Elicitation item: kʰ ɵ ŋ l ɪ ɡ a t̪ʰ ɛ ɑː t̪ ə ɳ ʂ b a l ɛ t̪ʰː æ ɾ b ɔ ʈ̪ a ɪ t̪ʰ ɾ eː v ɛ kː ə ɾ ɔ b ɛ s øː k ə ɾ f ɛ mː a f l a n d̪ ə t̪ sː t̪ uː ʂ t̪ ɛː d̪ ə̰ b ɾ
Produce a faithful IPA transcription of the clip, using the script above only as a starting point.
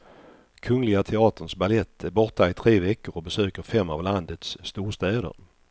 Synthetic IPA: kʰ ɵ ŋ l ɪ ɡ a t̪ʰ ɛ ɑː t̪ ə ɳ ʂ b a l ɛ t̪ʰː æ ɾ b ɔ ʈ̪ a ɪ t̪ʰ ɾ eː v ɛ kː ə ɾ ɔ b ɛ s øː k ə ɾ f ɛ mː a v l a n d̪ ə t̪ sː t̪ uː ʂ t̪ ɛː d̪ ə̰ ɾ